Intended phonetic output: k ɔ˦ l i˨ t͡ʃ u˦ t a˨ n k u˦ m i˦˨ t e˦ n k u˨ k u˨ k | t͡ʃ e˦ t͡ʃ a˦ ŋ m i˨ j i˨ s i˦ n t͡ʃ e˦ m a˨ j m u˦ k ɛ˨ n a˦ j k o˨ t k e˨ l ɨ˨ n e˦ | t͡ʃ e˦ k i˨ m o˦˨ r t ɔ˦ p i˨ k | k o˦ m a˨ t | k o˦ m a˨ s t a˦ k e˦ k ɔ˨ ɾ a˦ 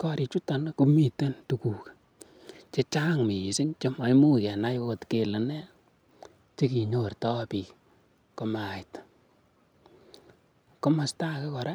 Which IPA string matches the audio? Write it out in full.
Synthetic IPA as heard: k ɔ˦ ɾ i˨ t͡ʃ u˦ t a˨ n k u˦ m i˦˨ t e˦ n t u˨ k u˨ k | t͡ʃ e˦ t͡ʃ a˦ ŋ m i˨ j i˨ s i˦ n t͡ʃ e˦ m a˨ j m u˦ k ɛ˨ n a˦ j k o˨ t k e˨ l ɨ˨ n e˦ | t͡ʃ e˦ k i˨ ɲ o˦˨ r t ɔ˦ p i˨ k | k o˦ m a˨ t | k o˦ m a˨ s t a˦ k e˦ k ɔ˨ ɾ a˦